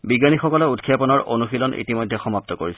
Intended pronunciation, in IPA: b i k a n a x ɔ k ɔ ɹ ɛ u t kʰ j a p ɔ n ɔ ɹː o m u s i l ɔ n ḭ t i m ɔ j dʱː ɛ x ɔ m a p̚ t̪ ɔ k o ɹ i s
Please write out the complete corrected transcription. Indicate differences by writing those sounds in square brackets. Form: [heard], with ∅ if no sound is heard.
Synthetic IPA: b i [ɡ] a n [i] x ɔ k ɔ [l] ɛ u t kʰ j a p ɔ n ɔ [ɹ] o [n] u [x] i l ɔ n ḭ t i m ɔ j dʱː ɛ x ɔ m a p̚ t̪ ɔ k o ɹ i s